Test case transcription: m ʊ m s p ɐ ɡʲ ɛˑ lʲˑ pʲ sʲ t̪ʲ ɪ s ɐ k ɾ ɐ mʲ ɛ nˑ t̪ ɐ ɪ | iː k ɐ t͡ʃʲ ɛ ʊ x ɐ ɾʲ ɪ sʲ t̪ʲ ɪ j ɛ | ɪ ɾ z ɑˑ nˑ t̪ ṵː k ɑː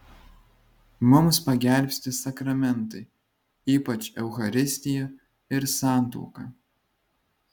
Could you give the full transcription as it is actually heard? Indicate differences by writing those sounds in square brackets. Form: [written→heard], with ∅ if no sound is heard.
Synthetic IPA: m ʊ m s p ɐ ɡʲ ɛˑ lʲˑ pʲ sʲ t̪ʲ ɪ s ɐ k ɾ ɐ mʲ ɛ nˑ t̪ ɐ ɪ | iː [k→p] ɐ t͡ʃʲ ɛ ʊ x ɐ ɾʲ ɪ sʲ t̪ʲ ɪ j ɛ | ɪ ɾ [z→s] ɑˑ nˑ t̪ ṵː k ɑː